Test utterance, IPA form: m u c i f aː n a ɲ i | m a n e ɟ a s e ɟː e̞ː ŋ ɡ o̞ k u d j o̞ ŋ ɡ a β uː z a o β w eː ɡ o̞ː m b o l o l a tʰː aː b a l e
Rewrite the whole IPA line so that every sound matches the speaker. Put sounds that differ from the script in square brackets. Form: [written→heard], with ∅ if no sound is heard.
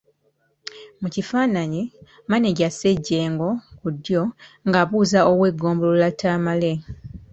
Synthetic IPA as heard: m u c i f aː n a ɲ i | m a n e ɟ a s e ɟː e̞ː ŋ ɡ o̞ k u d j o̞ ŋ ɡ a β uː z a o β w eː ɡ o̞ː m b o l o l a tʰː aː [b→m] a l e